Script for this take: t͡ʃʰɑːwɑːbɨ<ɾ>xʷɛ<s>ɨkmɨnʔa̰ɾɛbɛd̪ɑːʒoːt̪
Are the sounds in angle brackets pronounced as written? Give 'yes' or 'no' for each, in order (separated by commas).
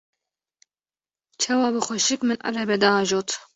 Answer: no, no